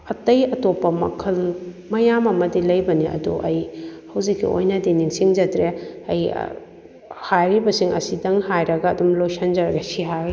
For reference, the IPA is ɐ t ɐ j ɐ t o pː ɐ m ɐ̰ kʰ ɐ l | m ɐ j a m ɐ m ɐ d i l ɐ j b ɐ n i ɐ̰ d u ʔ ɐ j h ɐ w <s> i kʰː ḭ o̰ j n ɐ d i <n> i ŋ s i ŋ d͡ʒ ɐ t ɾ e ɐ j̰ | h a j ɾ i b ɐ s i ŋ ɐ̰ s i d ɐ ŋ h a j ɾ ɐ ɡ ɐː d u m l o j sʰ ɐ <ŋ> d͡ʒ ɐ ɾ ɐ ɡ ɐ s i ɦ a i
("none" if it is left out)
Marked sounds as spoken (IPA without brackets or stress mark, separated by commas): z, n, n